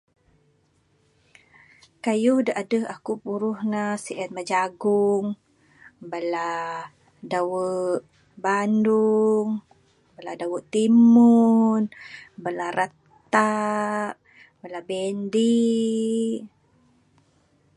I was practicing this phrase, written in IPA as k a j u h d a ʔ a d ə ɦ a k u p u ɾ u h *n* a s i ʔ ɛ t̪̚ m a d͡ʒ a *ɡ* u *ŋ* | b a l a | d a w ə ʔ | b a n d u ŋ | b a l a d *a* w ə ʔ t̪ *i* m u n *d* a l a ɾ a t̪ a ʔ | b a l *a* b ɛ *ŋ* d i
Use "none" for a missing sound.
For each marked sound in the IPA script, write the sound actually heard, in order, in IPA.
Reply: n, ɡ, ŋ, a, i, b, a, n

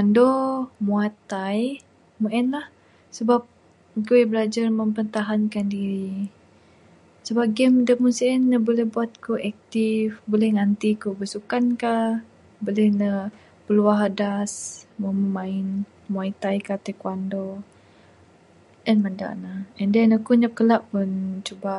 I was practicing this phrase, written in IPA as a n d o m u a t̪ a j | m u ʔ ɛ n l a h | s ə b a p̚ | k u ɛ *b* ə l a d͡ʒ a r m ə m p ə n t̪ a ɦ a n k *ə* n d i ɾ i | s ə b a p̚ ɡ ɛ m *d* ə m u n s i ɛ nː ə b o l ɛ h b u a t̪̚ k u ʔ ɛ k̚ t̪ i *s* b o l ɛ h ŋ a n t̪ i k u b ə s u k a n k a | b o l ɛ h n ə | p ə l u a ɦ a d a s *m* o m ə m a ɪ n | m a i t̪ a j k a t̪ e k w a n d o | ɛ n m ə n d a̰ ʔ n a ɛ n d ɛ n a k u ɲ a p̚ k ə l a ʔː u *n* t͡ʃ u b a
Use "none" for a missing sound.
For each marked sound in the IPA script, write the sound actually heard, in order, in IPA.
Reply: b, a, d, f, m, n

